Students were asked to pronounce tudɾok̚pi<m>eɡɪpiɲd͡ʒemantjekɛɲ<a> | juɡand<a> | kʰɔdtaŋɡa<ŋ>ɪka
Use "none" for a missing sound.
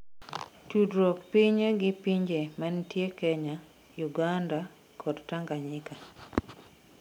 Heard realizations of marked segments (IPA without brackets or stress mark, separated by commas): ɲ, a, a, ɲ